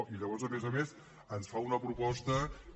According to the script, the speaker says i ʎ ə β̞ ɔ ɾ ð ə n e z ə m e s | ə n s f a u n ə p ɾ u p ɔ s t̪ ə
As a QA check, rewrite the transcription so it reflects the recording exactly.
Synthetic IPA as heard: i ʎ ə β̞ ɔ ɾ z ə m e z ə m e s | ə n s f a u n ə p ɾ u p ɔ s t̪ ə